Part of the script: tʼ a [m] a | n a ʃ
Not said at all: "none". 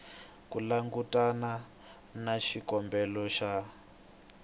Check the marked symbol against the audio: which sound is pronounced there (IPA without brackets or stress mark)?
n